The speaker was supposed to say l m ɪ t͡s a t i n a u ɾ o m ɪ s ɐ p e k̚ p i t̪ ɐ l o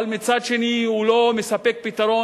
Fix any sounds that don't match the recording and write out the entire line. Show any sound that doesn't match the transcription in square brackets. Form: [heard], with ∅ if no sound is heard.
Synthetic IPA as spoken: l m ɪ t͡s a [t͡ʃ] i n [i] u [l] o m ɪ s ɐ p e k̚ p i t̪ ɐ [ɾ] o